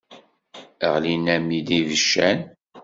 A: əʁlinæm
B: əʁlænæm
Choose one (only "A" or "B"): A